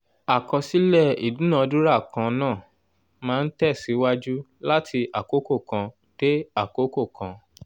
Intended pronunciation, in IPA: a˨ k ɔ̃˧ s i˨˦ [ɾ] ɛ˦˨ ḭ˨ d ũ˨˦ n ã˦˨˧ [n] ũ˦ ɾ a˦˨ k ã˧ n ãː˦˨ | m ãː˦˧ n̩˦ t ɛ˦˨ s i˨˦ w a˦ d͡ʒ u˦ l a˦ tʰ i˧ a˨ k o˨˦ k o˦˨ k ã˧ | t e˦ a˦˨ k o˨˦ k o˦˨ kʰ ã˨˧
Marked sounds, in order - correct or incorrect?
incorrect: l, incorrect: d

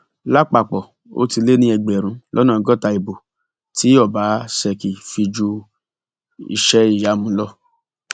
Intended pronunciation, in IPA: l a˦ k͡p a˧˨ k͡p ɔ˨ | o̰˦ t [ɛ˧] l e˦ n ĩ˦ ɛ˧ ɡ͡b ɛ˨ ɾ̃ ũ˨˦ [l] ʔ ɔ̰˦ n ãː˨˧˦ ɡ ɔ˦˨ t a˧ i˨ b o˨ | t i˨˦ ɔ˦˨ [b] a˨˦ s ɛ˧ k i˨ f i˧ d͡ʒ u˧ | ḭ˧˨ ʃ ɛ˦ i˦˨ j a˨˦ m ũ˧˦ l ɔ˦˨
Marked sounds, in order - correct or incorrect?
incorrect: i˧, correct, correct

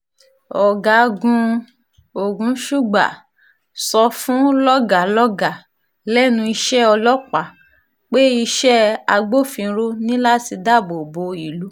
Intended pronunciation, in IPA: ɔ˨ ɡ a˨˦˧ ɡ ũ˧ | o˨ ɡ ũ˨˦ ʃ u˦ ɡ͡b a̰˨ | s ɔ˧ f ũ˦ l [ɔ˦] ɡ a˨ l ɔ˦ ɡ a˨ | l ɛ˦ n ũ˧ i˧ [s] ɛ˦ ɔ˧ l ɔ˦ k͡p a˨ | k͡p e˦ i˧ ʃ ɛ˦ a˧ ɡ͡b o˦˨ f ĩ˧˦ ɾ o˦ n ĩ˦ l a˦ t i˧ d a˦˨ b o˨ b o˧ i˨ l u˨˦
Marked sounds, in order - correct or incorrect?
correct, incorrect: ʃ

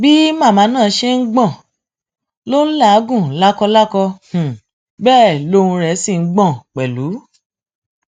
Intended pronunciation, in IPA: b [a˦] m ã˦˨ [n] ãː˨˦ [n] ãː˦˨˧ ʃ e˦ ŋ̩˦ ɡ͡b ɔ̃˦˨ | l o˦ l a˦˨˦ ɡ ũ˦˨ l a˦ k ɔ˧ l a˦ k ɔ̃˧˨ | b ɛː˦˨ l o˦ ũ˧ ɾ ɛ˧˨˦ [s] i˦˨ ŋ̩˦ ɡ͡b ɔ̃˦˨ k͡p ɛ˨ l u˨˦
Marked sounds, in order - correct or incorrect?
incorrect: i˦, incorrect: m, correct, correct

